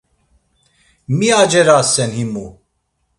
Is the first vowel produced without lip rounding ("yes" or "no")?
yes